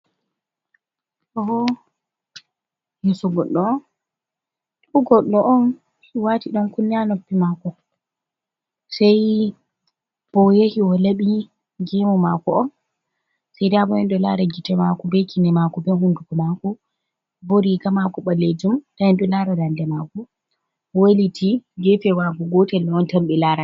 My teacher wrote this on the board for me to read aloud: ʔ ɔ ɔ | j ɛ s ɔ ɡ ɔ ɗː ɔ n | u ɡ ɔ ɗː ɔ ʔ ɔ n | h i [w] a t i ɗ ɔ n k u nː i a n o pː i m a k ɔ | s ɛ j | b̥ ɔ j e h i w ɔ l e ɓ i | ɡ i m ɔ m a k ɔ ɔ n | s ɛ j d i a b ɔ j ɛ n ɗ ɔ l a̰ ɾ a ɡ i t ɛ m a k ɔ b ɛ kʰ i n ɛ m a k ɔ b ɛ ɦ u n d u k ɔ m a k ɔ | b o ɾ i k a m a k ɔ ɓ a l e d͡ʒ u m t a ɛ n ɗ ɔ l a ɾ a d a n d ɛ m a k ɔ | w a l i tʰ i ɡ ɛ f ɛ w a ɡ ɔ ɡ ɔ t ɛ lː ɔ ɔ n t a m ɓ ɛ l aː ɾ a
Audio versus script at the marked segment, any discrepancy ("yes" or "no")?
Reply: no